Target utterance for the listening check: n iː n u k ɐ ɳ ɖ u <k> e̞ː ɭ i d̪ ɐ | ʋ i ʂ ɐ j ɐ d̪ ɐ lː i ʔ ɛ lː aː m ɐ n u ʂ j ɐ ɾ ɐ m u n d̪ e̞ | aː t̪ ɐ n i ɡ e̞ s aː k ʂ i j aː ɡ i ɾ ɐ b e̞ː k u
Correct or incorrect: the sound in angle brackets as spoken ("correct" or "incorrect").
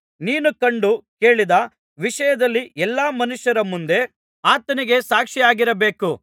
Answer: correct